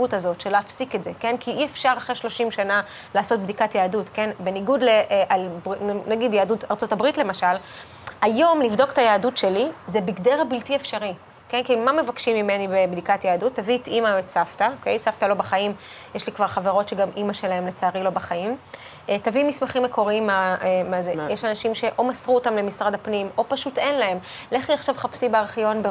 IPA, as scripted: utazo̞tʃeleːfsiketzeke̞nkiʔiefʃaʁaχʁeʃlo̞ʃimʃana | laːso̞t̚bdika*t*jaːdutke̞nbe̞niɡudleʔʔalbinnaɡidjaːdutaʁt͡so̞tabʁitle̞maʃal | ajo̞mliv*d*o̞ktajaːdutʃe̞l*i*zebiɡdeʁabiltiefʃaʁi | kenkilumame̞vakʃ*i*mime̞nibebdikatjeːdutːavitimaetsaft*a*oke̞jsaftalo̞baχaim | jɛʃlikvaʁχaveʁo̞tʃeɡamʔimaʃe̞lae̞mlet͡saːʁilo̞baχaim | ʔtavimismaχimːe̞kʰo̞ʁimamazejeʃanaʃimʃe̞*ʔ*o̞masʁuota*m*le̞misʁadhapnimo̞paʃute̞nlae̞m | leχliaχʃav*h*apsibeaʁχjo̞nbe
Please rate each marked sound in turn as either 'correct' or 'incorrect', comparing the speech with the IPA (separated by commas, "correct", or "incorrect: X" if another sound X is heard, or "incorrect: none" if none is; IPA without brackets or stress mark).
correct, correct, correct, correct, correct, correct, correct, incorrect: χ